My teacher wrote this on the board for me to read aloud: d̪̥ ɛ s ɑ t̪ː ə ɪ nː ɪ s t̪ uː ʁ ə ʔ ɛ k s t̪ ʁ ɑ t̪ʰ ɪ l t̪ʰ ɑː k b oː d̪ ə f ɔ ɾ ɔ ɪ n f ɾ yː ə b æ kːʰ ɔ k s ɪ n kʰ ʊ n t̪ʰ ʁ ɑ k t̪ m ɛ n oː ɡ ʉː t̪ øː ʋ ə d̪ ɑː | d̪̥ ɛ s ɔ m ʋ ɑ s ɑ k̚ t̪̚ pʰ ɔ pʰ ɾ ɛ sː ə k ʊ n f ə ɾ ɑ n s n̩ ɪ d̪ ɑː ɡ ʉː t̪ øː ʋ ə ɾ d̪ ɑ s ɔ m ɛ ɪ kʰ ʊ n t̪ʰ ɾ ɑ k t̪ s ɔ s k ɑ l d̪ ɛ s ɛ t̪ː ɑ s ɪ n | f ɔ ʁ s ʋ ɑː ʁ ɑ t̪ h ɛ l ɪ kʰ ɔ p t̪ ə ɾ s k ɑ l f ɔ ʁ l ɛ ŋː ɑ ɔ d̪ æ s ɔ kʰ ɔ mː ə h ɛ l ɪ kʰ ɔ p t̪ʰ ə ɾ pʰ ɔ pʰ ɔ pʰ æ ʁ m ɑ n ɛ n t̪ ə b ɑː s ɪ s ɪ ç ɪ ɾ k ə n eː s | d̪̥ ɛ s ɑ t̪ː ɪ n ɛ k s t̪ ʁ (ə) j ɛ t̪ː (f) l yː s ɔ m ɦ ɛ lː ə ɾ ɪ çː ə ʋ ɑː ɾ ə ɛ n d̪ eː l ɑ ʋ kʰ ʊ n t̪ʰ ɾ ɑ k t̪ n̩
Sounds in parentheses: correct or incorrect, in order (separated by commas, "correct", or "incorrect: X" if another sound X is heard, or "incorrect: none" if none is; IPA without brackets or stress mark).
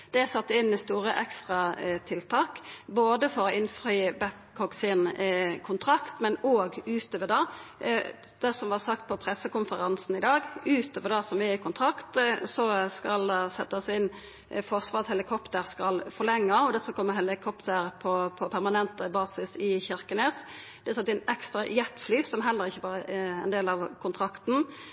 incorrect: ɑ, correct